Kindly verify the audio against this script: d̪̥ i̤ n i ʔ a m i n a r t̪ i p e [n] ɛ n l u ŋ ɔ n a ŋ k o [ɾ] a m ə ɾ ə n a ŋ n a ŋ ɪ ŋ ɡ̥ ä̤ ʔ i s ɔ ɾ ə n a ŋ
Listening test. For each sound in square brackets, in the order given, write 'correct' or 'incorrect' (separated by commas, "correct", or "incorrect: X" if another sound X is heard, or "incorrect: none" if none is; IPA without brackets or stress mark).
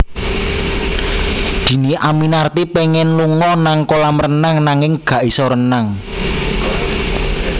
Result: incorrect: ŋ, incorrect: l